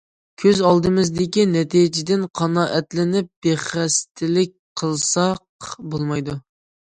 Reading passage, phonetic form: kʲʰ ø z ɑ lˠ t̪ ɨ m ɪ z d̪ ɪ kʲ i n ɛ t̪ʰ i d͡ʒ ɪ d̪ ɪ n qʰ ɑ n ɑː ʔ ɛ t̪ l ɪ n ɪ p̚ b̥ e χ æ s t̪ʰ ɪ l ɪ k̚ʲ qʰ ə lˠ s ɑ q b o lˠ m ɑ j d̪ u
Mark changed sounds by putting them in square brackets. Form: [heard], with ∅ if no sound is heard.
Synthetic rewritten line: kʲʰ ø z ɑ lˠ [d̪] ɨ m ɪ z d̪ ɪ kʲ i n ɛ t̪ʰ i d͡ʒ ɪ d̪ ɪ n qʰ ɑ n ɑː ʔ ɛ t̪ l ɪ n ɪ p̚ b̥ e χ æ s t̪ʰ ɪ l ɪ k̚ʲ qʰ ə lˠ s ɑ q b o lˠ m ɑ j d̪ u